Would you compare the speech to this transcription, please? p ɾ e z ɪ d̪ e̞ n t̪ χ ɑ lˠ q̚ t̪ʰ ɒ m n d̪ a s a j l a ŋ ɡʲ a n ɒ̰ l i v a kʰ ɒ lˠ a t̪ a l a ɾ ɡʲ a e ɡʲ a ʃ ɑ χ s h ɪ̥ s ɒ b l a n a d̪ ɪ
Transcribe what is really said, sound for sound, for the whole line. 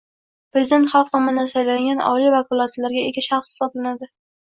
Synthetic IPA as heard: p ɾ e z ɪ d̪ e̞ n t̪ χ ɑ lˠ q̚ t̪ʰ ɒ m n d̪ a s a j l a ŋ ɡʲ a n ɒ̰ l i v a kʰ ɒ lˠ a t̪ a l a ɾ ɡʲ a e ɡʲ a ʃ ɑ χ s h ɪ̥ s ɒ b l a n a d̪ ɪ